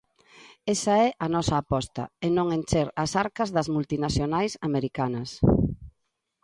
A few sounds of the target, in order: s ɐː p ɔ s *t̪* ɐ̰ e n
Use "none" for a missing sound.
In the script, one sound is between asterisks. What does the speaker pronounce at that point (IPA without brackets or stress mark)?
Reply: t̪